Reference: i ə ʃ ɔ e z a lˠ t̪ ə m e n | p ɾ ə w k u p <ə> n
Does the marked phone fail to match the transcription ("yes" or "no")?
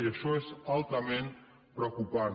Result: yes